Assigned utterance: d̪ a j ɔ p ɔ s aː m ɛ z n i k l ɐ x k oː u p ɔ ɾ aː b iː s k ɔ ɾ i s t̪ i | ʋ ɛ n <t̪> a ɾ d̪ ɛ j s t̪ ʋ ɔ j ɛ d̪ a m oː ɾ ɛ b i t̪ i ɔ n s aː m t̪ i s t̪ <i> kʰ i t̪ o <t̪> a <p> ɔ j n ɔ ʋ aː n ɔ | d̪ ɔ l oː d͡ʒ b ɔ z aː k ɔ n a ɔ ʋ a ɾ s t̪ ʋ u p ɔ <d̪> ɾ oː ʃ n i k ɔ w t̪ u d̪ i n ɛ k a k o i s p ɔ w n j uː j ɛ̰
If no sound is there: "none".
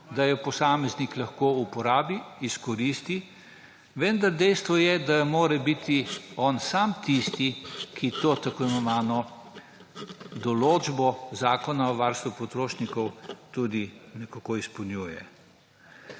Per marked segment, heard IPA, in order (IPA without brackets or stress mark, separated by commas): d̪, i, t̪, k, t̪